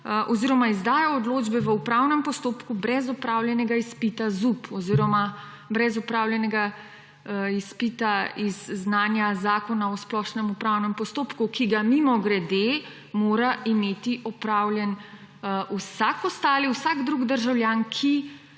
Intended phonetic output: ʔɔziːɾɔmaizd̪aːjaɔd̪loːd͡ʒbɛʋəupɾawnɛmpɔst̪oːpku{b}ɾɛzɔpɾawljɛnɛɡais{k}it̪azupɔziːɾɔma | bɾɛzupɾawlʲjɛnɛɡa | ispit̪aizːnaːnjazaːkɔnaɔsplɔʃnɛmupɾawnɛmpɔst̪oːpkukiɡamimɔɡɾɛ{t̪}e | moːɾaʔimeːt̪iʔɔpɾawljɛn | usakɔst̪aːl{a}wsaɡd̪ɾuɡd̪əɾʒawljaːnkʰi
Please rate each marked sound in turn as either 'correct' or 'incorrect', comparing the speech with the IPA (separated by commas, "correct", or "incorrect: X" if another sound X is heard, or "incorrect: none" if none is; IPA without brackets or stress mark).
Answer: correct, incorrect: p, incorrect: d̪, incorrect: i